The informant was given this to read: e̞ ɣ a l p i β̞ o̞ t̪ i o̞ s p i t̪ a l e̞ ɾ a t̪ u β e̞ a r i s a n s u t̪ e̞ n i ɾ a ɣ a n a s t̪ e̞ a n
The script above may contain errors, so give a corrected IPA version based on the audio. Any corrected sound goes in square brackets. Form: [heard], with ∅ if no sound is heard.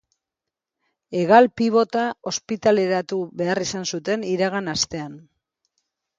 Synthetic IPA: e̞ ɣ a l p i β̞ o̞ t̪ [a] o̞ s p i t̪ a l e̞ ɾ a t̪ u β e̞ a r i s a n s u t̪ e̞ n i ɾ a ɣ a n a s t̪ e̞ a n